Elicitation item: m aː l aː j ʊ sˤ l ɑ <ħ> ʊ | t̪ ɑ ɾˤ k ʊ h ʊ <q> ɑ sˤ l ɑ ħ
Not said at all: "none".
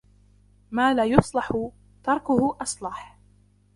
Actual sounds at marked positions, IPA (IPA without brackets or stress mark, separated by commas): ħ, ʔ